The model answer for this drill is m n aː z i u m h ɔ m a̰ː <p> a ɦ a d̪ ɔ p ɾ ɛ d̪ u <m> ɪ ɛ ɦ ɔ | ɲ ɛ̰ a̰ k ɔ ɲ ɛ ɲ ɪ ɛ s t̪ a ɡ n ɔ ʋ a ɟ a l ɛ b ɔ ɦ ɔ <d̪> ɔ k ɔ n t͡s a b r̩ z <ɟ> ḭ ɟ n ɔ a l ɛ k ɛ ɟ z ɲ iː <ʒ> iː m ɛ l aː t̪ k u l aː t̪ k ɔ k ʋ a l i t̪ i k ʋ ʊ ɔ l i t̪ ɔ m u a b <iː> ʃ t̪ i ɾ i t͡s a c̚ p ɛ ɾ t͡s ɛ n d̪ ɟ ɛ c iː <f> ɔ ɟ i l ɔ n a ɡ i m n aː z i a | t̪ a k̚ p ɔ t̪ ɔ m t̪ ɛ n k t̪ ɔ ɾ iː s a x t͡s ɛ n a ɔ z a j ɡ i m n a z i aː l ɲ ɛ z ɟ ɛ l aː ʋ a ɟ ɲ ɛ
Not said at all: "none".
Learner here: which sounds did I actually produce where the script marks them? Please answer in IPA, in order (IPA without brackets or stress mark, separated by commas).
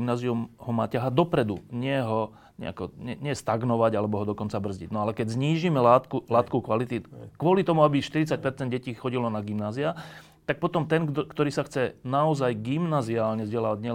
c, ɲ, d̪, ɟ, ʒ, i, x